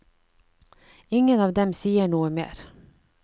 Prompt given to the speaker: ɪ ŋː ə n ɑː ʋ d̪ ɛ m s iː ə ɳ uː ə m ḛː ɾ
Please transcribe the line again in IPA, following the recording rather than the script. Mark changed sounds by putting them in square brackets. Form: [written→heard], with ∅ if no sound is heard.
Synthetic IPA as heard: ɪ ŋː ə n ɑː ʋ d̪ ɛ m s iː ə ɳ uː ə m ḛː ɾ